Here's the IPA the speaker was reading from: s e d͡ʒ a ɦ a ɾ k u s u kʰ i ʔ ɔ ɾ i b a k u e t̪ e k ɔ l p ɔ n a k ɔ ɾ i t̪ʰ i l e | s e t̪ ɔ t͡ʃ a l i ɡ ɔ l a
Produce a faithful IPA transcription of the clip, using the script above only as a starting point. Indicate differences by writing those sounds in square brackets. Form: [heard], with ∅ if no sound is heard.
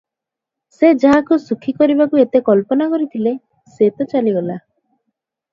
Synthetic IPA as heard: s e d͡ʒ a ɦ a [∅] k u s u kʰ i [k] ɔ ɾ i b a k u e t̪ e k ɔ l p ɔ n a k ɔ ɾ i t̪ʰ i l e | s e t̪ ɔ t͡ʃ a l i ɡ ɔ l a